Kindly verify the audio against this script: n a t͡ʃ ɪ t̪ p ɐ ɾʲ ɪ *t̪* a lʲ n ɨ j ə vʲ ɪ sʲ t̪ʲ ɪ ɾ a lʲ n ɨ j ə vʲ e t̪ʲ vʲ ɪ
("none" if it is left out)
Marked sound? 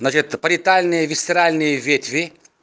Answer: t̪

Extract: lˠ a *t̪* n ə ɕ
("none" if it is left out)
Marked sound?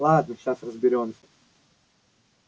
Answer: d̪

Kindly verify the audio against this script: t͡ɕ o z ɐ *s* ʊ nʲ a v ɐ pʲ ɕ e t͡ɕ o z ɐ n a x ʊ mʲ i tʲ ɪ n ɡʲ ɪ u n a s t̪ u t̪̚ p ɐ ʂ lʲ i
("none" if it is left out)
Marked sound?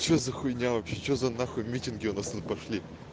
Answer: x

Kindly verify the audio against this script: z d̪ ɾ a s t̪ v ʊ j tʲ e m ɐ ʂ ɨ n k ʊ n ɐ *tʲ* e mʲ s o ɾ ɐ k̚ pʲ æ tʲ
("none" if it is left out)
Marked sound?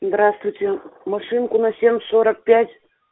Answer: sʲ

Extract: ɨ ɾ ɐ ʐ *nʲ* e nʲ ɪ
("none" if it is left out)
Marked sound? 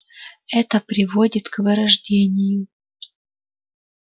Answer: dʲ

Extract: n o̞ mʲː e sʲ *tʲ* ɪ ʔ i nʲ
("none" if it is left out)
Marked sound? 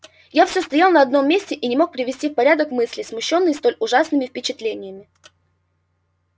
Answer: tʲ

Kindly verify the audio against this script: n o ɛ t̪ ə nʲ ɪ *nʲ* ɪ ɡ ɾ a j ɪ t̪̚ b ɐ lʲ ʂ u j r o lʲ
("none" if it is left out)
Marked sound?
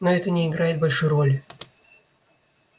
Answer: none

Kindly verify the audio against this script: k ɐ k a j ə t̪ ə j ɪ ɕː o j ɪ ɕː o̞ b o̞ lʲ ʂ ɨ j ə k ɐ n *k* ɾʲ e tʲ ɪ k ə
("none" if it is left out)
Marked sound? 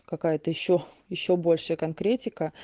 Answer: k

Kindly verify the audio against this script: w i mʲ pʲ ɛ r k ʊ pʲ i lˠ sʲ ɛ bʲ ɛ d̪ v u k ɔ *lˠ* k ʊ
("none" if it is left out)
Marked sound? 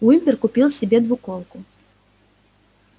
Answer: lˠ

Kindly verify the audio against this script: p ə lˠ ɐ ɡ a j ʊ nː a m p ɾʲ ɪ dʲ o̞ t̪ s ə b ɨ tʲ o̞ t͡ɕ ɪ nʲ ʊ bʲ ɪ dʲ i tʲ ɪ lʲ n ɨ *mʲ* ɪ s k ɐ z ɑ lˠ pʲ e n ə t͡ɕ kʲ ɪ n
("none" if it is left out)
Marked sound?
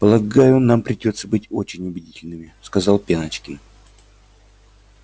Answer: mʲ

